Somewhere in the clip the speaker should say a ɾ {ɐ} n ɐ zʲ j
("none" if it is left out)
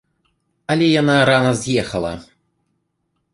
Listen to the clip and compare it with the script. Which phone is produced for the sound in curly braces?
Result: a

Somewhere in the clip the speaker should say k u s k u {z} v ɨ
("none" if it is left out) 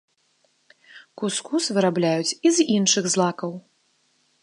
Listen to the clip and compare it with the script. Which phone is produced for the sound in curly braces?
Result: s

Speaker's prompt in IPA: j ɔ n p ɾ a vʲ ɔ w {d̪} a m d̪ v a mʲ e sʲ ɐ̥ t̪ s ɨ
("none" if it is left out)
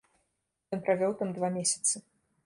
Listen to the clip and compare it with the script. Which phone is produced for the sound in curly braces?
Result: t̪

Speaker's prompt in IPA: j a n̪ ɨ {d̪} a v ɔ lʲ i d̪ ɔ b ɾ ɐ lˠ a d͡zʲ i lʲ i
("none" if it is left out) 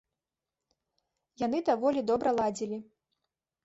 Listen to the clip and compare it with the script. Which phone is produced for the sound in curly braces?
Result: d̪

